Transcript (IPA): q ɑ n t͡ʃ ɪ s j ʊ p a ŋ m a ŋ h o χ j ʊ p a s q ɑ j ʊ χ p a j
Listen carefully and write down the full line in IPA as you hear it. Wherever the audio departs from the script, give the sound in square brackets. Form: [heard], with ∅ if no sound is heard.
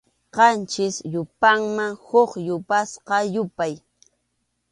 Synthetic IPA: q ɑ n t͡ʃ ɪ s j ʊ p a ŋ m a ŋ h o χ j ʊ p a s q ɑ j ʊ [∅] p a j